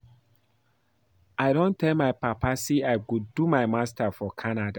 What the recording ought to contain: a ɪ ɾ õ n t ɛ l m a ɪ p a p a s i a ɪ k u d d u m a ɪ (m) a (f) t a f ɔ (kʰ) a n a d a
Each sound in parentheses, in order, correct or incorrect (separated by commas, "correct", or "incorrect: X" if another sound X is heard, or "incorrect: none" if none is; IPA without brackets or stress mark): correct, incorrect: s, correct